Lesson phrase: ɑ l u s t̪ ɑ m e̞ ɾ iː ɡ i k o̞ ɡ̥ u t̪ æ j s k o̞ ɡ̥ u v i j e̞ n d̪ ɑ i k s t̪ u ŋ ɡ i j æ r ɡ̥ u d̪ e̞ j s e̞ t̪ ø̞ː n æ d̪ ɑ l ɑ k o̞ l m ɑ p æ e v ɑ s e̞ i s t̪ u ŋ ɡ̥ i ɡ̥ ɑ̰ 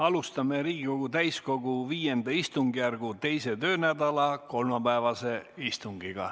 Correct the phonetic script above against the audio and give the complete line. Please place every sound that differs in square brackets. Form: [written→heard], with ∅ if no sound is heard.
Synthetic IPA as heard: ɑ l u s t̪ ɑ m e̞ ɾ iː ɡ i k o̞ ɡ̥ u t̪ æ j s k o̞ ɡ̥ u v [i→iː] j e̞ n d̪ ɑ i [k→∅] s t̪ u ŋ ɡ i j æ r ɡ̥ u [d̪→t̪] e̞ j s e̞ t̪ ø̞ː n æ d̪ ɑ l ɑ k o̞ l m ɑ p æ e v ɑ s e̞ i s t̪ u ŋ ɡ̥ i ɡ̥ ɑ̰